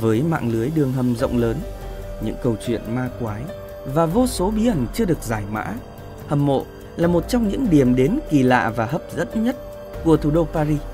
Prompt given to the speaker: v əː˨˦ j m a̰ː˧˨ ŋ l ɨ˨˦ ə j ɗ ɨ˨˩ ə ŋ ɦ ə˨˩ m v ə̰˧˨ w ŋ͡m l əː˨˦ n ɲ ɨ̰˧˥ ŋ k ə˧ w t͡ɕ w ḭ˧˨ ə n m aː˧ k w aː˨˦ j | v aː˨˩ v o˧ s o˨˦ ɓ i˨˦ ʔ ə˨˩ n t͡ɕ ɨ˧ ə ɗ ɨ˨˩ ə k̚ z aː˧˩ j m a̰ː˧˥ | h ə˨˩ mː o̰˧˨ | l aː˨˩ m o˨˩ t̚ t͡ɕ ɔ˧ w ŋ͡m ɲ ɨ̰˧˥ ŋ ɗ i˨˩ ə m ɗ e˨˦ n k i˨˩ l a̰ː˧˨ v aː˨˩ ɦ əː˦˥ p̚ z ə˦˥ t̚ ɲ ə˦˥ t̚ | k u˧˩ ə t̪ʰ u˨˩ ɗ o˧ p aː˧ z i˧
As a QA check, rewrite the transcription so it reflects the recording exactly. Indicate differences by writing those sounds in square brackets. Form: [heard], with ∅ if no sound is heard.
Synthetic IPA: v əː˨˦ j m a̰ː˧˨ ŋ l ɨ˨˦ ə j ɗ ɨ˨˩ ə ŋ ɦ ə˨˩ m [z] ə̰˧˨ w ŋ͡m l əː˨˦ n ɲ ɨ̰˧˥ ŋ k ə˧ w t͡ɕ w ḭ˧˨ ə n m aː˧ k w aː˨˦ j | v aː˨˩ v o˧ s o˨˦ ɓ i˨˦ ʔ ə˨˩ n t͡ɕ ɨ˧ ə ɗ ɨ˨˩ ə k̚ z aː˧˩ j m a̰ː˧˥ | h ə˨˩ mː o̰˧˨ | l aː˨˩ m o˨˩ t̚ t͡ɕ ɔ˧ w ŋ͡m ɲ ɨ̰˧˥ ŋ ɗ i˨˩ ə m ɗ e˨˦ n k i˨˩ l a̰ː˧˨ v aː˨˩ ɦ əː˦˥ p̚ z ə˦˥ t̚ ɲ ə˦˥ t̚ | k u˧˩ ə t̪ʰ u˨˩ ɗ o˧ p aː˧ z i˧